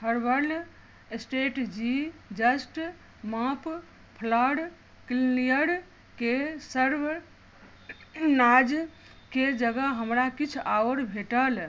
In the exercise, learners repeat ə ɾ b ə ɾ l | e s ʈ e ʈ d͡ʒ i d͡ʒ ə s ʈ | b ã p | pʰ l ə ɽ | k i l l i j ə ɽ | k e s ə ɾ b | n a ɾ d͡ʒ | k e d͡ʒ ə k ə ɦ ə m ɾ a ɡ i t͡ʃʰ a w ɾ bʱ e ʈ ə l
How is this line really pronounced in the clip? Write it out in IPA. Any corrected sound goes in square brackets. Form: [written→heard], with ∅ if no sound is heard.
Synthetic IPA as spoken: ə ɾ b ə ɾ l | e s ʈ e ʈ d͡ʒ i d͡ʒ ə s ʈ | [b→m] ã p | pʰ l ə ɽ | k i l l i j ə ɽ | k e s ə ɾ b | n a [ɾ→∅] d͡ʒ | k e d͡ʒ ə [k→ɡ] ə ɦ ə m ɾ a [ɡ→k] i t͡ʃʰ a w ɾ bʱ e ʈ ə l